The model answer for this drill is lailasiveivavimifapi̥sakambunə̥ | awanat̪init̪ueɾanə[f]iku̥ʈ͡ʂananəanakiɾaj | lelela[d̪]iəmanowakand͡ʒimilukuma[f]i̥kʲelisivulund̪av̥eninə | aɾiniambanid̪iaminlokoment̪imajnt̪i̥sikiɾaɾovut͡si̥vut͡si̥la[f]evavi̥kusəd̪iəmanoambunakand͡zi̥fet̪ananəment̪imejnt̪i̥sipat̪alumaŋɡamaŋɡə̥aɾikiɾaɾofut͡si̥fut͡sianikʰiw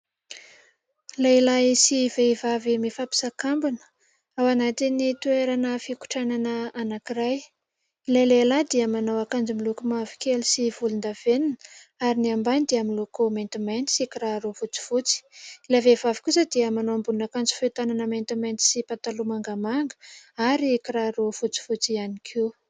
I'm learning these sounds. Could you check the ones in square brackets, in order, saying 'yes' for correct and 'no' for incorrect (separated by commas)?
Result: yes, yes, no, no